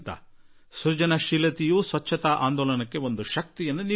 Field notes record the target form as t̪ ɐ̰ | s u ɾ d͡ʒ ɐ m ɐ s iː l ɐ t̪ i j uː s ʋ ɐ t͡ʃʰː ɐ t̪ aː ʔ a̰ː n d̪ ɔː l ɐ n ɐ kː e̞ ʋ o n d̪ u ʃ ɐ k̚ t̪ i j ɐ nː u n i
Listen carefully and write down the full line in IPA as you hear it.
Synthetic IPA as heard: t̪ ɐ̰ | s u ɾ d͡ʒ ɐ n ɐ ʃ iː l ɐ t̪ i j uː s ʋ ɐ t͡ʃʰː ɐ t̪ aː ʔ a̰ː n d̪ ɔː l ɐ n ɐ kː e̞ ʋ o n d̪ u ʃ ɐ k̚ t̪ i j ɐ nː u n i